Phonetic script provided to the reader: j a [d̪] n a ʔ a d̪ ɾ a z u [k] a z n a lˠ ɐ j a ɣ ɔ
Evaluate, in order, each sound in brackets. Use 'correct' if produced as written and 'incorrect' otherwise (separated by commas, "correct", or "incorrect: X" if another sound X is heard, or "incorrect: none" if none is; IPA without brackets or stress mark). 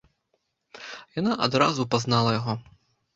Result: incorrect: none, incorrect: p